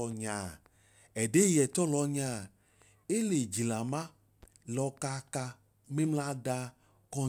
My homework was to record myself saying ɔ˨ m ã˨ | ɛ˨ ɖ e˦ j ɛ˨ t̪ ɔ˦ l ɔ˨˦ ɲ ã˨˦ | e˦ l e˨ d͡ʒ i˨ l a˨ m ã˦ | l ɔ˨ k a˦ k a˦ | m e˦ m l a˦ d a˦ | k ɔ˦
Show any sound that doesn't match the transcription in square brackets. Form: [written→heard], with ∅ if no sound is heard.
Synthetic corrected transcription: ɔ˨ [m→ɲ] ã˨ | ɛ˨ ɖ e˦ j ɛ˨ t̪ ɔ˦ l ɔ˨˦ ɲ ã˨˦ | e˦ l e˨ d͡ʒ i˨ l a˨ m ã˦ | l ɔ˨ k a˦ k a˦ | m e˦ m l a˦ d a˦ | k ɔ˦